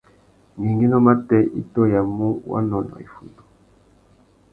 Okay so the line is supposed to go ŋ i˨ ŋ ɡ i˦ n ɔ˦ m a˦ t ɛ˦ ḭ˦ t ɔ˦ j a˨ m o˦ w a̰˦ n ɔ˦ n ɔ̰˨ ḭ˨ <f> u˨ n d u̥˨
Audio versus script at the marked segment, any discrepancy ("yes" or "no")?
no